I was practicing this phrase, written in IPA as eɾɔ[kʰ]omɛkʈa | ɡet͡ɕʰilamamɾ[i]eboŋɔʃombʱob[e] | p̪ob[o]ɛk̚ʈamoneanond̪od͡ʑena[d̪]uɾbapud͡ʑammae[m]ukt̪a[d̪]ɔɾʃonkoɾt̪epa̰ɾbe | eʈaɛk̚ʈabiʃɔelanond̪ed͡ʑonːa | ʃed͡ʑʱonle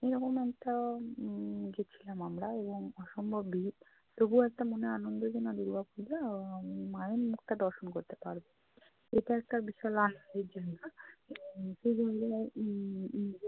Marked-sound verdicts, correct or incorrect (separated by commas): incorrect, incorrect, incorrect, incorrect, correct, correct, correct